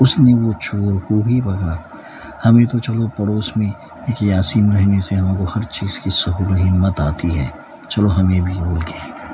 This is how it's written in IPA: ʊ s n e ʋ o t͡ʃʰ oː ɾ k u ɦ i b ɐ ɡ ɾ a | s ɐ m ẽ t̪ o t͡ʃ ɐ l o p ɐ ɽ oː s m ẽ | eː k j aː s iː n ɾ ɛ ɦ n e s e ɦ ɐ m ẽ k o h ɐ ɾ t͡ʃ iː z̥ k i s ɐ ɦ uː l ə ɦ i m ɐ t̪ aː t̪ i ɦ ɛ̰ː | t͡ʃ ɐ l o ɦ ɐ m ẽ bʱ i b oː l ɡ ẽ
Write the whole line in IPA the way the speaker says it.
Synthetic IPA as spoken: ʊ s n e ʋ o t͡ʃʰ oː ɾ k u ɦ i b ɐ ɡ ɾ a | h ɐ m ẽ t̪ o t͡ʃ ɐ l o p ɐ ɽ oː s m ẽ | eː k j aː s iː n ɾ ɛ ɦ n e s e ɦ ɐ m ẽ k o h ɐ ɾ t͡ʃ iː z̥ k i s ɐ ɦ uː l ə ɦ i m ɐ t̪ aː t̪ i ɦ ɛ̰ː | t͡ʃ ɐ l o ɦ ɐ m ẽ bʱ i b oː l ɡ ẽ